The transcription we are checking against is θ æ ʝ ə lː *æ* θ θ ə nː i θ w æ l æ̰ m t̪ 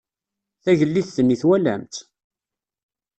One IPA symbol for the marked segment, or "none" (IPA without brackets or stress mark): i